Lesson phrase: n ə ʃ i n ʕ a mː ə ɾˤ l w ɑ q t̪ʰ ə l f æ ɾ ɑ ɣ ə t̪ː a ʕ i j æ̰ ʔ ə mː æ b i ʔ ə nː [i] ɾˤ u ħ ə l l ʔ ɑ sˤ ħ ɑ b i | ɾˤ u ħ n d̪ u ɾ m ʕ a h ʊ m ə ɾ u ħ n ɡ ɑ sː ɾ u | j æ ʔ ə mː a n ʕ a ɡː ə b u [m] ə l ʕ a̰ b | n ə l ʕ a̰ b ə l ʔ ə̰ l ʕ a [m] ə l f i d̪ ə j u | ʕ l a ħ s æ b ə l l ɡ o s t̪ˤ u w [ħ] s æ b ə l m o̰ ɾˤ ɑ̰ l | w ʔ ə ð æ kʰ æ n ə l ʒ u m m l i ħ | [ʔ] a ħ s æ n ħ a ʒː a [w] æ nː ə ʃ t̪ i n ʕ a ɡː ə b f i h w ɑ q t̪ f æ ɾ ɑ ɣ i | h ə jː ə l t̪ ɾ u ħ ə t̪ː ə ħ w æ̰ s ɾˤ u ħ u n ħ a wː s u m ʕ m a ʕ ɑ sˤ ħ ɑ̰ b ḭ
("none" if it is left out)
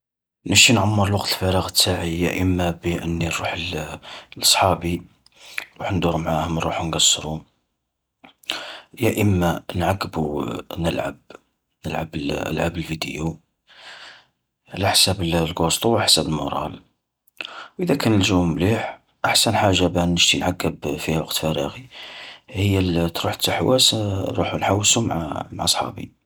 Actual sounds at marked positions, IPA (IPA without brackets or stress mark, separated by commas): i, n, b, ħ, ʔ, b